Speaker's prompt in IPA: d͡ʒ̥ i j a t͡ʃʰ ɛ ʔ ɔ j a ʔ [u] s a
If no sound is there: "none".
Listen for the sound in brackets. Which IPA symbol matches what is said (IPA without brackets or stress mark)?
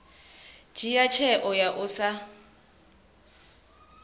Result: ʊ